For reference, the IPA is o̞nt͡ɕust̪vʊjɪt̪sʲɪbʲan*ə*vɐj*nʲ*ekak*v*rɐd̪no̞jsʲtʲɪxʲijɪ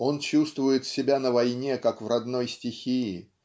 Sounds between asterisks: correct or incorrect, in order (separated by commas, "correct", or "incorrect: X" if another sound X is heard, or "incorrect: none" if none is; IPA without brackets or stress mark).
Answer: correct, correct, correct